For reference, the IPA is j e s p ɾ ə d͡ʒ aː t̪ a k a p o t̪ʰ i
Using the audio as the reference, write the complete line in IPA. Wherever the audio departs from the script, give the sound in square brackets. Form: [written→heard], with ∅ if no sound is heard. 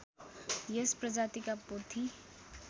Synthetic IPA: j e s p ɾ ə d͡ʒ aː t̪ [a→i] k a p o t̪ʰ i